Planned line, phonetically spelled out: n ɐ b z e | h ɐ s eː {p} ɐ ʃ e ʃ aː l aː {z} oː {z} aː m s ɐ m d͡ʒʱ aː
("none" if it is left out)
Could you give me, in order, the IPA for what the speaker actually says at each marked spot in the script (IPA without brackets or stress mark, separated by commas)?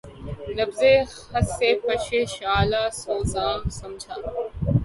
p, s, z